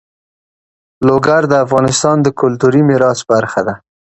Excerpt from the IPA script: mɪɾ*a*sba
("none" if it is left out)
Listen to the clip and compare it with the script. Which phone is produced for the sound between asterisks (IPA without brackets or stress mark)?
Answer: ɑ